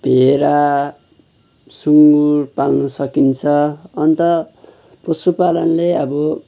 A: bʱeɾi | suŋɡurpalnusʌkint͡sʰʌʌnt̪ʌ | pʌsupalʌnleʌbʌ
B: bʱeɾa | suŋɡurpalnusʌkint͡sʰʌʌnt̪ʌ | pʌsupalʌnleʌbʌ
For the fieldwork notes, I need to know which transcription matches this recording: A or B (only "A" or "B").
B